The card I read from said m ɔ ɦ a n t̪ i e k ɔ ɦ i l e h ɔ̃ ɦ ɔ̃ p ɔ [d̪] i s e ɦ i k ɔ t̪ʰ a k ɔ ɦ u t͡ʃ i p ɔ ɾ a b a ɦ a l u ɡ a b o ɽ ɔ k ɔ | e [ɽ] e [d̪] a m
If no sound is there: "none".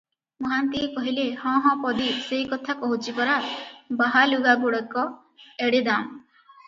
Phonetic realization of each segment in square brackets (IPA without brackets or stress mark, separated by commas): d̪, ɽ, d̪